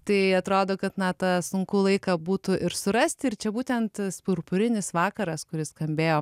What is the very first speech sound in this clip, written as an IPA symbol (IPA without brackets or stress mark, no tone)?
t̪